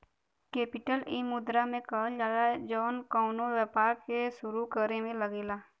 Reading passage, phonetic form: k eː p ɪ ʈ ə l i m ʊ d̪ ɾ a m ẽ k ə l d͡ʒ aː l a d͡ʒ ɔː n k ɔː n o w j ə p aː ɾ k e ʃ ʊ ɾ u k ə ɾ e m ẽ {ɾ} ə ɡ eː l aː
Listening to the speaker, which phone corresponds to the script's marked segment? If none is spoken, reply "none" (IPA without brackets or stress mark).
l